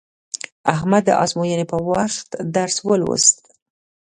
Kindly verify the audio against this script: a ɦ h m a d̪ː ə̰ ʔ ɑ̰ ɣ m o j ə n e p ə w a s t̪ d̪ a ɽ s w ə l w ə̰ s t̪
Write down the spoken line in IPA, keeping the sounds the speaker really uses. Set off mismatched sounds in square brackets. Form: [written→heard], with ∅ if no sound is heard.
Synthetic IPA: a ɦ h m a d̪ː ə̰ ʔ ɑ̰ [ɣ→z] m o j ə n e p ə w a [s→x] t̪ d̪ a [ɽ→ɾ] s w ə l w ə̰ s t̪